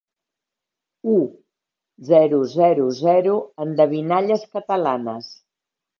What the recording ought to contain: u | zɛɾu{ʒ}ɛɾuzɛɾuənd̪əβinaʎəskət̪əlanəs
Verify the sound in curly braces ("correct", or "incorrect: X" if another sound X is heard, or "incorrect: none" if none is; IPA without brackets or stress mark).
incorrect: z